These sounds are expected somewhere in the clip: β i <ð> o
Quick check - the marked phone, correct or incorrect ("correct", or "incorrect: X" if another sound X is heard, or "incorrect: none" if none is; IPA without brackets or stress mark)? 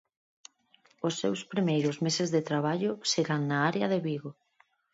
incorrect: ɣ